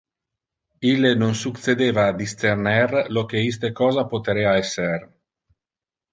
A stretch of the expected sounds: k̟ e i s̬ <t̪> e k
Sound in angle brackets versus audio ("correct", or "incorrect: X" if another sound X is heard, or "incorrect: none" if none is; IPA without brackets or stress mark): correct